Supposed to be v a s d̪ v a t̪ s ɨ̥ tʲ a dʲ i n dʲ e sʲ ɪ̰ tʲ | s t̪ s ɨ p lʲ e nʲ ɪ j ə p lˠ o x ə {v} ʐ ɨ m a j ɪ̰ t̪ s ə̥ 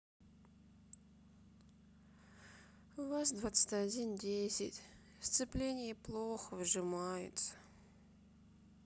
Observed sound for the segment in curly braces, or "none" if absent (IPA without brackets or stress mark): v